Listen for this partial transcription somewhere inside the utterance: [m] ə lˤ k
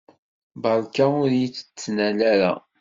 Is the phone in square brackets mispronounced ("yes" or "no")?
yes